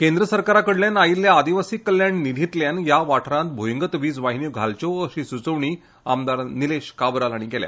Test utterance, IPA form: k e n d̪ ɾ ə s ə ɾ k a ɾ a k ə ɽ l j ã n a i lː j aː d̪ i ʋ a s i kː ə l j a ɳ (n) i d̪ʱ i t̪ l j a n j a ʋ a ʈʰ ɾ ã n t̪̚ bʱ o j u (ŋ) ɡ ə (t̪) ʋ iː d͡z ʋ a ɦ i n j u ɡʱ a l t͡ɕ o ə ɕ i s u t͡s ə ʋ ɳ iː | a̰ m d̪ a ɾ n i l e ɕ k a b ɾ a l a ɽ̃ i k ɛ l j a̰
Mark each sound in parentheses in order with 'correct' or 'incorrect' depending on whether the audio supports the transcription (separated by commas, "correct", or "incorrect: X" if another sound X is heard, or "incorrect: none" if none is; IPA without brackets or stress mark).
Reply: correct, correct, correct